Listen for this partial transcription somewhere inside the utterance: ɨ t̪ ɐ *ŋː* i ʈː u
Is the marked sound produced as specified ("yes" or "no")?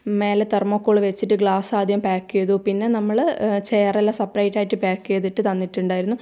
no